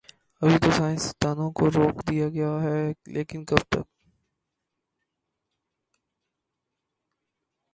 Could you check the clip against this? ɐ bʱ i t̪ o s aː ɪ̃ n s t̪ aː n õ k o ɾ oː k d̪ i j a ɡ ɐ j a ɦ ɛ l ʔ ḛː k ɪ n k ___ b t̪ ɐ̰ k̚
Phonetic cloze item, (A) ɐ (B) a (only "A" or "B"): A